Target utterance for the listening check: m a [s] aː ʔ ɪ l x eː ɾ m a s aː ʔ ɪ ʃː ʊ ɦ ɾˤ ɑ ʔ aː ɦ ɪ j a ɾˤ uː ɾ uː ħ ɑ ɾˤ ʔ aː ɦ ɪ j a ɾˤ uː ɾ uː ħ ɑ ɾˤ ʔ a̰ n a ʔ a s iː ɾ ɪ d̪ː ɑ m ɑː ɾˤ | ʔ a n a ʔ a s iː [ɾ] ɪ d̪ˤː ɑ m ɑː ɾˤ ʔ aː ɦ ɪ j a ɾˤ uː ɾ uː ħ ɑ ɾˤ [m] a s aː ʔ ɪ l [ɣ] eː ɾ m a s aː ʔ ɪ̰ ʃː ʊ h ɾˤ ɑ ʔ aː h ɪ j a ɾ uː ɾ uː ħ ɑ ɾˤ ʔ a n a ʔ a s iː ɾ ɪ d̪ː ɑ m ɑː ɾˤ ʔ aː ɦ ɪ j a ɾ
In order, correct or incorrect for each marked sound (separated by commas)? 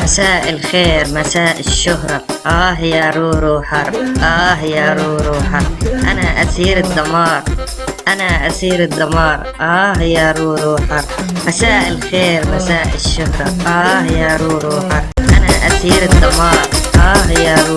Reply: correct, correct, correct, incorrect